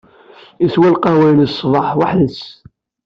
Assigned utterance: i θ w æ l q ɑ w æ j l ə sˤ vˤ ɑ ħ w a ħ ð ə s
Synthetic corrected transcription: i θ w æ l q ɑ w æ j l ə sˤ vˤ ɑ ħ w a ħ ð ə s